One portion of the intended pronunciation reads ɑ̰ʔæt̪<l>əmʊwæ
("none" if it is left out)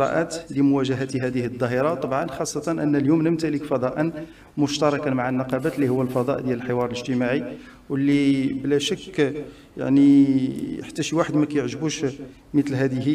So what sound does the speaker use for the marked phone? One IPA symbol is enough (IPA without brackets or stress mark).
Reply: l